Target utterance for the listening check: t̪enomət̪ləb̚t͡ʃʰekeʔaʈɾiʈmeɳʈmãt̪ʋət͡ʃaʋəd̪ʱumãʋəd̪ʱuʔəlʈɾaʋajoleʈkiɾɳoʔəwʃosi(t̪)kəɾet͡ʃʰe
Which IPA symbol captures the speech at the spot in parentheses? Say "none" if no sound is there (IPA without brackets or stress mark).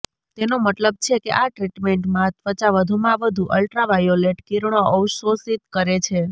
t̪